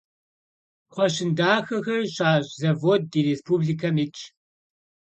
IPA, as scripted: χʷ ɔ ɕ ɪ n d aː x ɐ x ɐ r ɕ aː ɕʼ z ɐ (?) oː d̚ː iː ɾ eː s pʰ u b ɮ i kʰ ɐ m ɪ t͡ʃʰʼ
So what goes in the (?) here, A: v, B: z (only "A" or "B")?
A